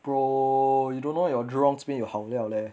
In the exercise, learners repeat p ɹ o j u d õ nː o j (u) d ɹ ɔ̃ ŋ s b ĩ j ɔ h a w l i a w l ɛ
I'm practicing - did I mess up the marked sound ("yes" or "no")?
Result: yes